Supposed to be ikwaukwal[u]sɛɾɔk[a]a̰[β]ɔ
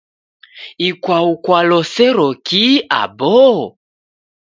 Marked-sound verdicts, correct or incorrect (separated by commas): incorrect, incorrect, incorrect